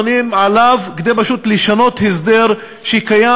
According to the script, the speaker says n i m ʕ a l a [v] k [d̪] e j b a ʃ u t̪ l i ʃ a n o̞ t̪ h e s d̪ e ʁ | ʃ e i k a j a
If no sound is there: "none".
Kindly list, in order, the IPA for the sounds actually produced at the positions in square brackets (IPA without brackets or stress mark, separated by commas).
v, d̪